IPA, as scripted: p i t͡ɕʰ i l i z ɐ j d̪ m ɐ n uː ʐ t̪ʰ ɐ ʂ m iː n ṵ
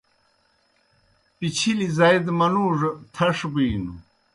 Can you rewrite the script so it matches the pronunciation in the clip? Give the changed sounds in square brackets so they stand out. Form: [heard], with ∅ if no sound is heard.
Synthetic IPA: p i t͡ɕʰ i l i z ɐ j d̪ m ɐ n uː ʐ t̪ʰ ɐ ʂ [b] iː n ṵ

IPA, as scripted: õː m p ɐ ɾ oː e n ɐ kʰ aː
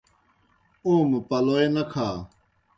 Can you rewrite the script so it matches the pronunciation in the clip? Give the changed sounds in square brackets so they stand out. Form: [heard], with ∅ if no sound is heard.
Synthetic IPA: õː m p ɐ [l] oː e n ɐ kʰ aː

